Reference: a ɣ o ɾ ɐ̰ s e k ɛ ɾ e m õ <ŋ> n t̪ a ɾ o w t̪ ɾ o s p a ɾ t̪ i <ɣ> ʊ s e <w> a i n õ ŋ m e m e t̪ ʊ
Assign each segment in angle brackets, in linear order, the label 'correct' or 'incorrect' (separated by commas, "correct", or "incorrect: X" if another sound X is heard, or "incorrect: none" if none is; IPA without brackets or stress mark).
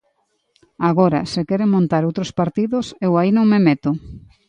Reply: incorrect: none, incorrect: ð, correct